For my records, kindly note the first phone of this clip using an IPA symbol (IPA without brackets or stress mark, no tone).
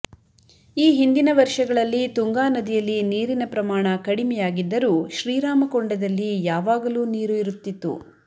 iː